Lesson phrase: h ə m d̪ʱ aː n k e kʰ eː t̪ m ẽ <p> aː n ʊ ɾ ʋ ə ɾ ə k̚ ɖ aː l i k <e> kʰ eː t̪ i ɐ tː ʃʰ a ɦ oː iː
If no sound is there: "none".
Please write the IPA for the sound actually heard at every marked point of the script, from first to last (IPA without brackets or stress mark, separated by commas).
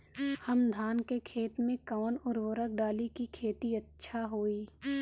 k, i